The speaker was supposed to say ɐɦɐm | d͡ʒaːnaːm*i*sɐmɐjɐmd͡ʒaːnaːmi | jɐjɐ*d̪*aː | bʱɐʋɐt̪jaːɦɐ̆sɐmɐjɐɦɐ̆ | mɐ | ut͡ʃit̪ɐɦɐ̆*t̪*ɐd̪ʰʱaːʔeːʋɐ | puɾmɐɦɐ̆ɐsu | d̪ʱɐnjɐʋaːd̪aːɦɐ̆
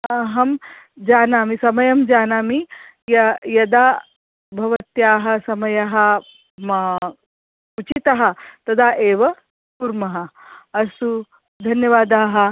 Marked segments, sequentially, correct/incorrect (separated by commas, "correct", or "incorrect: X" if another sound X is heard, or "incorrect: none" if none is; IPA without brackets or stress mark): correct, correct, correct